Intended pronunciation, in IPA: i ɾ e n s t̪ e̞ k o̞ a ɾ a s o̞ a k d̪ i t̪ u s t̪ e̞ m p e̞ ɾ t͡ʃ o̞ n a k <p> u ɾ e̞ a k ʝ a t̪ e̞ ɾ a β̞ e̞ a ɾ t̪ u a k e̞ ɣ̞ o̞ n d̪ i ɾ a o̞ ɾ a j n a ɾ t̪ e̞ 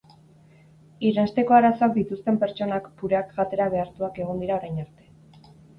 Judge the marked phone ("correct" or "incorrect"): correct